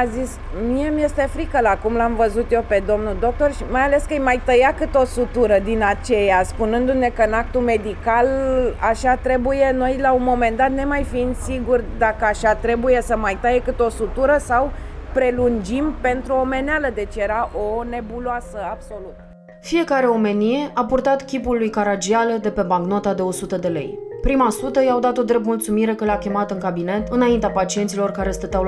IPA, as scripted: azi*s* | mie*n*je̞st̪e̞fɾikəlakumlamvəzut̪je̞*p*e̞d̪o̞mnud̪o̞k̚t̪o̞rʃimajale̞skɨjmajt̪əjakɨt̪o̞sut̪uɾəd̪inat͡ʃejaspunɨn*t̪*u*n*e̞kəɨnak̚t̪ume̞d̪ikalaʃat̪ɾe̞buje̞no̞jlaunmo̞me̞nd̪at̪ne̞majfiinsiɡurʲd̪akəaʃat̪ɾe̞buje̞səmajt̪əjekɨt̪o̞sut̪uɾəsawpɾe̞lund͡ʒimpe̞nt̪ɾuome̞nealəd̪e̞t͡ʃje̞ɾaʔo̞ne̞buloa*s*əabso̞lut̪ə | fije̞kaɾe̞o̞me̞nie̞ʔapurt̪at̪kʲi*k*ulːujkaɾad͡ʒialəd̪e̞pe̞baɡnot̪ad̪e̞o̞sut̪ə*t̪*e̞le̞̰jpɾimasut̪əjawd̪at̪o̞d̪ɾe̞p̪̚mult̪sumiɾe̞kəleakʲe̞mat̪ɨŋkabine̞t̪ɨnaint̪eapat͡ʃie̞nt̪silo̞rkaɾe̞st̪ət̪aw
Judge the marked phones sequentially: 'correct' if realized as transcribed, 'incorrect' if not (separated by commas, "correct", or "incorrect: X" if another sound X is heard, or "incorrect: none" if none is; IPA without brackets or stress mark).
correct, incorrect: m, correct, incorrect: d̪, correct, correct, incorrect: p, incorrect: d̪